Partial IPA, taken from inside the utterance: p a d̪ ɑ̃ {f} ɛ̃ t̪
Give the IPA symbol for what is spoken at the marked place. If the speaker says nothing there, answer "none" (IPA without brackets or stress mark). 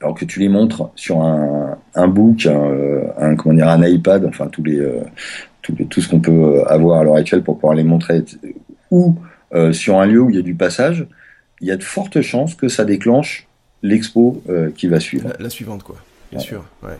f